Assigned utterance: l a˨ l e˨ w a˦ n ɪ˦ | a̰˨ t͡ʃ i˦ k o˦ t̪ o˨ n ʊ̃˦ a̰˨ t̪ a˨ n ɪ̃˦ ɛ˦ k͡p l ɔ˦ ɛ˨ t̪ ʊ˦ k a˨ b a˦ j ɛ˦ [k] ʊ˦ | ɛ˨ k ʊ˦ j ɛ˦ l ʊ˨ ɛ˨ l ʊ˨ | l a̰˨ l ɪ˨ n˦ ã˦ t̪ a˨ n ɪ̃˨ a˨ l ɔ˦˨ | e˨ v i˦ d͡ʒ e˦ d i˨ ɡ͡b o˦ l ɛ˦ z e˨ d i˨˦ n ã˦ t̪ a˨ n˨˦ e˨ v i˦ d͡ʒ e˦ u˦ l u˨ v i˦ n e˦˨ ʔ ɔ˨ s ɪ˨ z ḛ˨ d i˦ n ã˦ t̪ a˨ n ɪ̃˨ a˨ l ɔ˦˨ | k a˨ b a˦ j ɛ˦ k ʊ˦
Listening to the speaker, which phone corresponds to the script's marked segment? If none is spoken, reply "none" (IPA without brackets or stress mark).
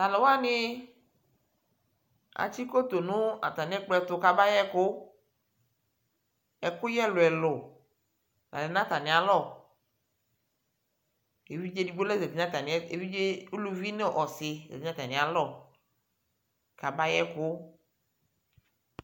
k